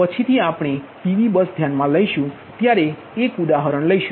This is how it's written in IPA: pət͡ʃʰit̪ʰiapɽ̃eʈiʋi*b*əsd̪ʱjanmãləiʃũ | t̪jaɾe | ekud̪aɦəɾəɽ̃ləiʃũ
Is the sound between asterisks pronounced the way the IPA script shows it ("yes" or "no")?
yes